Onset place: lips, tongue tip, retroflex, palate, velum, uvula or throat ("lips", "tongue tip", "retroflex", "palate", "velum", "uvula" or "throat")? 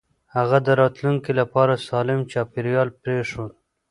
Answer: throat